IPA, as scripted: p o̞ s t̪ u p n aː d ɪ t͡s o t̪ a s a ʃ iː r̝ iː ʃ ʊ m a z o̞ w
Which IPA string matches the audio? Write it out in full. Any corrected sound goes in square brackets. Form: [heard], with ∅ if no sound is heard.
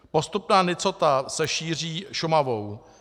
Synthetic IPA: p o̞ s t̪ u p n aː [n] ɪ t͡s o t̪ a s [ɛ] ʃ iː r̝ iː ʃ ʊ m a [v] o̞ w